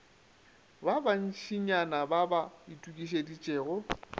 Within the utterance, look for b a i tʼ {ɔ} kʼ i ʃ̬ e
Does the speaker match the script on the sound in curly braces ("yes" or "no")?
no